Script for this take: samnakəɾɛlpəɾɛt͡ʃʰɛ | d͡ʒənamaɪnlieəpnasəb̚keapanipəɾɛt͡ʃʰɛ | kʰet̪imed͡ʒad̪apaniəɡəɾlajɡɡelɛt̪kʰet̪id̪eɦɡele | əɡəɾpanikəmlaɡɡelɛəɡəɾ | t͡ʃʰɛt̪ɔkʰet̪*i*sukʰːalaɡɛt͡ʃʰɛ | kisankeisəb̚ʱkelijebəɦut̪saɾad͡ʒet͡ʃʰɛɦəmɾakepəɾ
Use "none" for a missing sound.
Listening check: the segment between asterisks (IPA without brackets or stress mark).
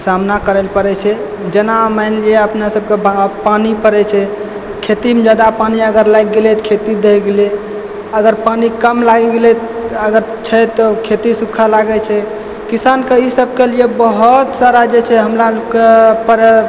i